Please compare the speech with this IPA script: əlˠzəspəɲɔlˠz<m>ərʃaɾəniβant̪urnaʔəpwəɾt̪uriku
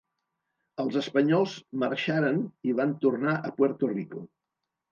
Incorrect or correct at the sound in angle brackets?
correct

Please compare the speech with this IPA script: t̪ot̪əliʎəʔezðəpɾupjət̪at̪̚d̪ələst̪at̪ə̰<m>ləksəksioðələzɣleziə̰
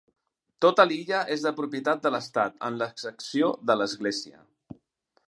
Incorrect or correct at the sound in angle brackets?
incorrect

